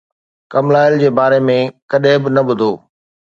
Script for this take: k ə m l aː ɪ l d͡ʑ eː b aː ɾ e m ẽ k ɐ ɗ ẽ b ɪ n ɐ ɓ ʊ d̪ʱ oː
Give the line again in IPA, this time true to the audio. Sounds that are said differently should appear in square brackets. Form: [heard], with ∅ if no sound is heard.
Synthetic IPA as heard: k [ɐ] m l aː ɪ l d͡ʑ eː b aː ɾ e m ẽ k ɐ ɗ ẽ b ɪ n ɐ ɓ ʊ d̪ʱ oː